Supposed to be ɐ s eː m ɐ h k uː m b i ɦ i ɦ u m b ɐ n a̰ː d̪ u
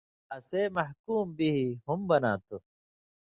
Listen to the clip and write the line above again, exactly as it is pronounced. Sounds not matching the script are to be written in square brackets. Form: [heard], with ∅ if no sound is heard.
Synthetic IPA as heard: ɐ s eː m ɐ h k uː m b i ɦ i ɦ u m b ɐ n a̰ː [t̪] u